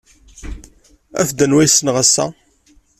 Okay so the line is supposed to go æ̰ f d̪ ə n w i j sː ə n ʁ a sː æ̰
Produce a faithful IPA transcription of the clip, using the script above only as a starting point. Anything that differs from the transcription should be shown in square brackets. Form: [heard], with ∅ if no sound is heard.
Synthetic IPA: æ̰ f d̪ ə n w [æ] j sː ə n ʁ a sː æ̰